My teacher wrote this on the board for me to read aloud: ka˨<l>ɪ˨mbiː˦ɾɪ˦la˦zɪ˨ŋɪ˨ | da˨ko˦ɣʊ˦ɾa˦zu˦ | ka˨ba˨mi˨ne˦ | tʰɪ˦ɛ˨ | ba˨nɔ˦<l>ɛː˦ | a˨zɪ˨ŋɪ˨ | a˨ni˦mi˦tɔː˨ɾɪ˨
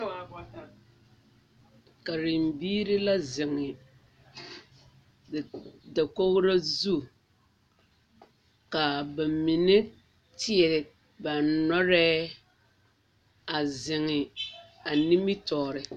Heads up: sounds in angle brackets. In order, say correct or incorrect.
incorrect: ɾ, incorrect: ɾ

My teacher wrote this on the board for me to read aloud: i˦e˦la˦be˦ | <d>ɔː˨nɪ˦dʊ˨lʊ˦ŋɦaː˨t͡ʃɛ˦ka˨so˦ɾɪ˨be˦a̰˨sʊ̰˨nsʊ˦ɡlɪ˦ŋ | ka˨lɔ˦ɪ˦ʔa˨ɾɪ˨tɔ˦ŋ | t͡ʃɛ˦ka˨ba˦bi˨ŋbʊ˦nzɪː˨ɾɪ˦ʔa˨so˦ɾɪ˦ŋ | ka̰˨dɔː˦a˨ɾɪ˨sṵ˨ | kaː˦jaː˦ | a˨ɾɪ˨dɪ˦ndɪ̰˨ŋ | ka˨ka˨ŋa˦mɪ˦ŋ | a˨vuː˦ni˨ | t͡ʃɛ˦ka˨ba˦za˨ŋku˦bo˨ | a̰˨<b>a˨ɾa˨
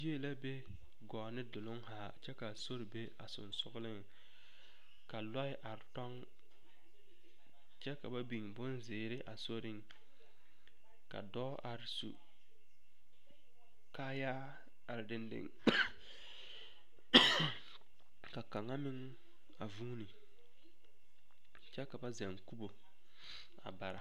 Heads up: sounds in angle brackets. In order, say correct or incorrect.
incorrect: ɡ, correct

